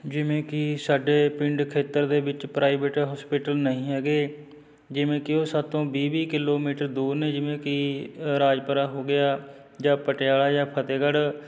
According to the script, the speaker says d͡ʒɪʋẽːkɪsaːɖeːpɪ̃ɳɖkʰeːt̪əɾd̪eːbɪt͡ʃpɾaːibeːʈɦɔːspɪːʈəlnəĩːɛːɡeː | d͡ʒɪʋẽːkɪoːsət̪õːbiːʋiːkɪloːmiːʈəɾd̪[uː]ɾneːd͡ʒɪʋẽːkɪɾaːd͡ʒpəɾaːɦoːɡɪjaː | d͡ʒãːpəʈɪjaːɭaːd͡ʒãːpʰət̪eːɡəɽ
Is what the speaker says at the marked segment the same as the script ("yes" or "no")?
yes